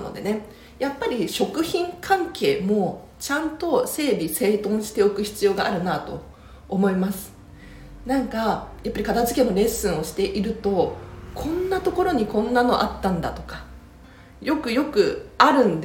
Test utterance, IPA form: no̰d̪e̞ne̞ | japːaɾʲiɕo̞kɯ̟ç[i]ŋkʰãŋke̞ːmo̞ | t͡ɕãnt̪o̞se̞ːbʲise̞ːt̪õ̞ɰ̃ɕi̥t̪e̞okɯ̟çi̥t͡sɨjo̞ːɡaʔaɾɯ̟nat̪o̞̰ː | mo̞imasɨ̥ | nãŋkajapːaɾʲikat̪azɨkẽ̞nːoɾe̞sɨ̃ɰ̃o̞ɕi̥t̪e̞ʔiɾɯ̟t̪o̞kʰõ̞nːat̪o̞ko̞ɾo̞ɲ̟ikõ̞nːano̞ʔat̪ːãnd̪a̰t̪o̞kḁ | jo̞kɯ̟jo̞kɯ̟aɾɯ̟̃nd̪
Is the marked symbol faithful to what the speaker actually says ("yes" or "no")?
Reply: no